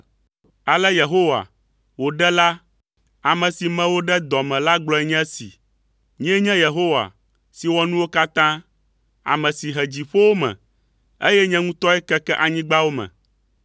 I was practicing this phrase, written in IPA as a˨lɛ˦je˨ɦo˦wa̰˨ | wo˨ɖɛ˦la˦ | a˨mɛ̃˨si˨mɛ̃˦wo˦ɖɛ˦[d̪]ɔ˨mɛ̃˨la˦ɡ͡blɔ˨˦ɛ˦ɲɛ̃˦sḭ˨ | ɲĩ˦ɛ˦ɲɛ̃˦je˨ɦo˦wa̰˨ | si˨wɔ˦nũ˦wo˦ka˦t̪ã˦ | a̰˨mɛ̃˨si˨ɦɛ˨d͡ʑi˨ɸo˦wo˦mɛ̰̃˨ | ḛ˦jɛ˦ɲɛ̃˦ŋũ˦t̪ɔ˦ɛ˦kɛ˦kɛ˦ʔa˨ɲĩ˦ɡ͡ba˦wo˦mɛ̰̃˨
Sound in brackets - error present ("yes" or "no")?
no